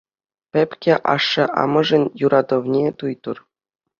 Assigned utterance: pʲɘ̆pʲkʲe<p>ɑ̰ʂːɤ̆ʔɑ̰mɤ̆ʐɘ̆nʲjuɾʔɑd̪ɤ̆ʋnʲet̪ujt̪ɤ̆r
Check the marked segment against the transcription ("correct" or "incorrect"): incorrect